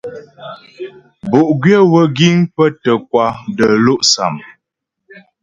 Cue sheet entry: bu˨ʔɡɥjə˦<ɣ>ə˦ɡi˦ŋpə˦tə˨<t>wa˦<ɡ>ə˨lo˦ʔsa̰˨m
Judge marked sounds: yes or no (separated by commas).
no, no, no